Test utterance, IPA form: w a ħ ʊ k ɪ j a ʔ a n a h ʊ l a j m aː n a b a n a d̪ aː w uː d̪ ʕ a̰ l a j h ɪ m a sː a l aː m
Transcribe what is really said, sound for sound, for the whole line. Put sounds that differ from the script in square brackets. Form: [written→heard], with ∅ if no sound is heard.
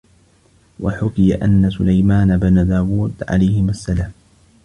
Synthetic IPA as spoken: w a ħ ʊ k ɪ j a ʔ a [n→nː] a [h→s] ʊ l a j m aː n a b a n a d̪ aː w uː d̪ ʕ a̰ l a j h ɪ m a sː a l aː m